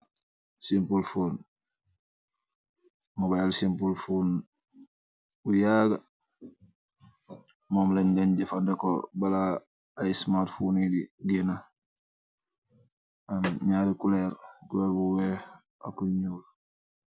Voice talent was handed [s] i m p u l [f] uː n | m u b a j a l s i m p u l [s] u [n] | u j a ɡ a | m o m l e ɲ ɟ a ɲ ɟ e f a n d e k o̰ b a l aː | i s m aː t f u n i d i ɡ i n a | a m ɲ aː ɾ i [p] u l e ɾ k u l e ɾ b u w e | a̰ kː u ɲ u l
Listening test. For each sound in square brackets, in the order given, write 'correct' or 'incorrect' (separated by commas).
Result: correct, correct, incorrect, correct, incorrect